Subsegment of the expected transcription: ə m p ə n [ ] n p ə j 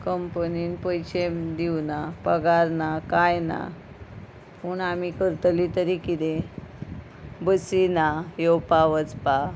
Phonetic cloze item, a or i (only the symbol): i